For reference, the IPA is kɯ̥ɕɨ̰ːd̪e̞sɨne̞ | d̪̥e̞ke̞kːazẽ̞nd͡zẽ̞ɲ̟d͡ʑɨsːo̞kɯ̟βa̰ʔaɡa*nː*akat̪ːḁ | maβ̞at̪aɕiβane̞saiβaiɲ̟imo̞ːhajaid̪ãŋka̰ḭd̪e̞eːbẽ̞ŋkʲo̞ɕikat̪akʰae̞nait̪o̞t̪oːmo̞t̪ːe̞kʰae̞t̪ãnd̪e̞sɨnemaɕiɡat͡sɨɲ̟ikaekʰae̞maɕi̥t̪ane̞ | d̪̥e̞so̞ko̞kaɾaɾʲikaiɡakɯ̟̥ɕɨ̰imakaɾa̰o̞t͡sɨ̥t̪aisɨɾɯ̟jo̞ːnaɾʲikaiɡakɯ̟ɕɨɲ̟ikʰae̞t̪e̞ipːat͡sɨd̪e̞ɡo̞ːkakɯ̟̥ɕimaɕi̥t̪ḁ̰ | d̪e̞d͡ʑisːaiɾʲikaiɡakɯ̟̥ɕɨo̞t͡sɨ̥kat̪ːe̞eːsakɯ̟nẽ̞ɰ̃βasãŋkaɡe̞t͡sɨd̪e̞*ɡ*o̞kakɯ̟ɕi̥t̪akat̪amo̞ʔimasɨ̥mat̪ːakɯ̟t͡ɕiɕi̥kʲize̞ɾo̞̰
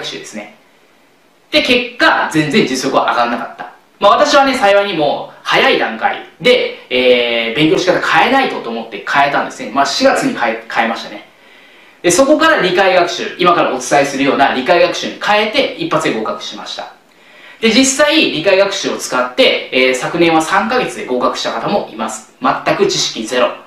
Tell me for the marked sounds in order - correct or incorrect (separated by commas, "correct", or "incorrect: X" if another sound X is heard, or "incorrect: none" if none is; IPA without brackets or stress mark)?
correct, correct